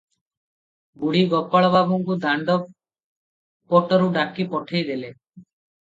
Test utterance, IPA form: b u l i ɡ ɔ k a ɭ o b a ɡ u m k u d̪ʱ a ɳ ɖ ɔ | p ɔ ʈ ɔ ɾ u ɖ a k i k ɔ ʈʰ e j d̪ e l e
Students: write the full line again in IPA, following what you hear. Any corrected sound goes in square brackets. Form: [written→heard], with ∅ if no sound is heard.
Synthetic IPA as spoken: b u [l→ɽ] i ɡ ɔ [k→p] a ɭ [o→ɔ] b a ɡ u [m→ŋ] k u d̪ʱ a ɳ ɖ ɔ | p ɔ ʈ ɔ ɾ u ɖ a k i [k→p] ɔ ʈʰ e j d̪ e l e